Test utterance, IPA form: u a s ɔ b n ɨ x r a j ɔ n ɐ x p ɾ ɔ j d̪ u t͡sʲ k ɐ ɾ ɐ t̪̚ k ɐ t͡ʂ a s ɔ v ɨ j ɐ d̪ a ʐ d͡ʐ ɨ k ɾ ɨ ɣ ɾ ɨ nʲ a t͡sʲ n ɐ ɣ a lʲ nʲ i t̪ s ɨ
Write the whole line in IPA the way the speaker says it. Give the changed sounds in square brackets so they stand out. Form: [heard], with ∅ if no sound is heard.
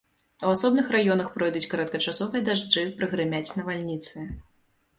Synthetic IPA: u a s ɔ b n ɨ x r a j ɔ n ɐ x p ɾ ɔ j d̪ u t͡sʲ k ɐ ɾ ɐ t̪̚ k ɐ t͡ʂ a s ɔ v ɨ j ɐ d̪ a ʐ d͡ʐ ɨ [p] ɾ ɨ ɣ ɾ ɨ [mʲ] a t͡sʲ n ɐ [v] a lʲ nʲ i t̪ s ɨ